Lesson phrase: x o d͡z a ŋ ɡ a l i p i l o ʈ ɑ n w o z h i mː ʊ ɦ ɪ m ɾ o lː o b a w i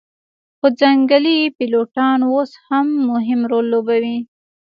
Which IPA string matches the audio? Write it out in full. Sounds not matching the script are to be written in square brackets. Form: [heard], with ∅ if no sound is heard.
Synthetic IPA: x o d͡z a ŋ ɡ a l i p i l o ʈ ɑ n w o [s] h [a] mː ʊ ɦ ɪ m ɾ o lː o b a w i